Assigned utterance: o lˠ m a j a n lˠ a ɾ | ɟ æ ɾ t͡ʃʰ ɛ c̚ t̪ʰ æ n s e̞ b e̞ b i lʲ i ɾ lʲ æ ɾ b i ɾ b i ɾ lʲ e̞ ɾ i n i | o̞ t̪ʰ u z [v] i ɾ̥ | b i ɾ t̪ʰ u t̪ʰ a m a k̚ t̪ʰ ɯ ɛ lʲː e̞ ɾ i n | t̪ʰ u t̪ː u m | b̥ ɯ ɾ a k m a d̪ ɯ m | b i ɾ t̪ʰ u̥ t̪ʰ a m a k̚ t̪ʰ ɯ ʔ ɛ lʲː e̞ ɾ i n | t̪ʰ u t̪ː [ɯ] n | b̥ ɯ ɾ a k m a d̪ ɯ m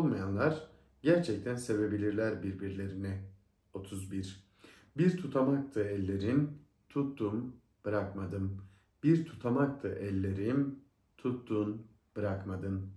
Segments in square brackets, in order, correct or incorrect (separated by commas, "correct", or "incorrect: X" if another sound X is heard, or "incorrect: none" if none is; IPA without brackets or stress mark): incorrect: b, incorrect: u